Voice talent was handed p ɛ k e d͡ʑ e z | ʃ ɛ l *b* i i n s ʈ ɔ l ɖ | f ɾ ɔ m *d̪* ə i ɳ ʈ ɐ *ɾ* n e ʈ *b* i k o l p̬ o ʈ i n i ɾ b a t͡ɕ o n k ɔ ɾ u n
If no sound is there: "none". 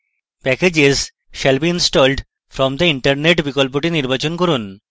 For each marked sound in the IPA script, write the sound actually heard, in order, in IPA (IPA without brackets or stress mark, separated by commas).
b, d̪, ɾ, b